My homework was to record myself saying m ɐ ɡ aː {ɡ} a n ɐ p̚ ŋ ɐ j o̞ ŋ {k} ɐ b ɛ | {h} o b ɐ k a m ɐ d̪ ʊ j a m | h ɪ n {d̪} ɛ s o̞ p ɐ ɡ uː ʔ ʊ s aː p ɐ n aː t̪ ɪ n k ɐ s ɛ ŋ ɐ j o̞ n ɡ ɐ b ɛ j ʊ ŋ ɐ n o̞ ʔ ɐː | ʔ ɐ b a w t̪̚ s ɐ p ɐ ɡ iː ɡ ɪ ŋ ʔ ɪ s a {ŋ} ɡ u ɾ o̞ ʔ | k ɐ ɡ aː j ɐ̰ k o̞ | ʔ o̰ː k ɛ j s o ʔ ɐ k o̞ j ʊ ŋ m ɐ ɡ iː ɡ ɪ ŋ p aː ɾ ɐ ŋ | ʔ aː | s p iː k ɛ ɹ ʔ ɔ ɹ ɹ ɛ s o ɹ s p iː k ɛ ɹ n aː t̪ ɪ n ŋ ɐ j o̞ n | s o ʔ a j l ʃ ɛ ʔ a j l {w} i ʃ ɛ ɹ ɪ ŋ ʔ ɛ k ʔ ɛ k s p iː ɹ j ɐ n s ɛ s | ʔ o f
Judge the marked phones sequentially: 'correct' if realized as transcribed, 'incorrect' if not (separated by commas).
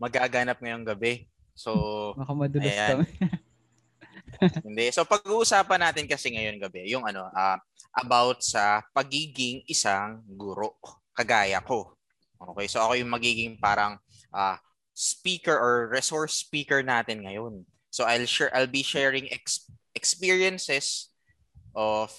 correct, incorrect, incorrect, correct, correct, incorrect